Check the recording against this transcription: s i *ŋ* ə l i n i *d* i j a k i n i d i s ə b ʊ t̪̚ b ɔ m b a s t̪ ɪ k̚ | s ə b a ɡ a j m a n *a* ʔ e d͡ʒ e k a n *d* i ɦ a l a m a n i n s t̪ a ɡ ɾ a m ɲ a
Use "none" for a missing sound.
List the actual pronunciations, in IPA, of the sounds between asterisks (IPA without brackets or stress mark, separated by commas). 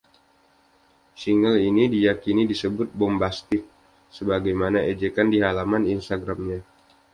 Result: ŋ, d, a, d